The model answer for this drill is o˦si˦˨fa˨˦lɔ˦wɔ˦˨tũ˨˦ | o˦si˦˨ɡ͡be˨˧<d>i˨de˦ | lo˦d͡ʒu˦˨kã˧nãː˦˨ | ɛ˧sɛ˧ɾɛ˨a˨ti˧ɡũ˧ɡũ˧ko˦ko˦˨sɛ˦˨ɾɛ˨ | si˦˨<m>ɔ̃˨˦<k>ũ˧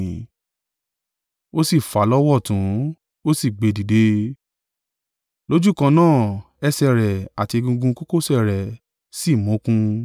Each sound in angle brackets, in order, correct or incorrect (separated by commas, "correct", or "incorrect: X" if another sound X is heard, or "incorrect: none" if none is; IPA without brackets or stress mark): correct, correct, correct